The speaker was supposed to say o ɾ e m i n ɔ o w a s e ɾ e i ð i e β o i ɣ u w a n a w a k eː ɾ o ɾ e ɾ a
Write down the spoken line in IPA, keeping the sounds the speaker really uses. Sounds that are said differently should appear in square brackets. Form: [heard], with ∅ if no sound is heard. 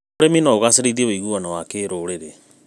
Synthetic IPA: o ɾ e m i n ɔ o [ɣ] a s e ɾ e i ð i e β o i ɣ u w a n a w a k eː ɾ o ɾ e ɾ [e]